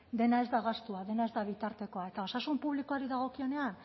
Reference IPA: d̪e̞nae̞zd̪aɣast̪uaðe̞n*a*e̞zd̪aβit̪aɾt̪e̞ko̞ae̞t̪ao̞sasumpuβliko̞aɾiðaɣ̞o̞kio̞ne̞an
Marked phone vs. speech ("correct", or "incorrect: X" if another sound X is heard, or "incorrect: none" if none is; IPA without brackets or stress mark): correct